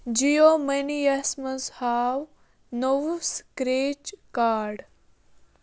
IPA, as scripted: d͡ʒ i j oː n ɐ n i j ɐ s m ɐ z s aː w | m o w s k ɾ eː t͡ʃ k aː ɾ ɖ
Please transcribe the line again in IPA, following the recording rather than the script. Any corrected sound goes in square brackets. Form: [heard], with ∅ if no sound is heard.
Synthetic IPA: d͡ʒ i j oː [m] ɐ n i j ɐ s m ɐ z [h] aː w | [n] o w s k ɾ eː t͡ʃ k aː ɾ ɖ